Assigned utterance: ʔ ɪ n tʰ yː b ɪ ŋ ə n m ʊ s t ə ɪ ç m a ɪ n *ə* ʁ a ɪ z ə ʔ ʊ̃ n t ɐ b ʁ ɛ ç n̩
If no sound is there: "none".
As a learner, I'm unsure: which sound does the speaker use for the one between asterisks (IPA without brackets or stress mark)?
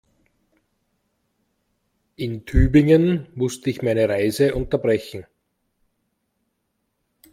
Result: ə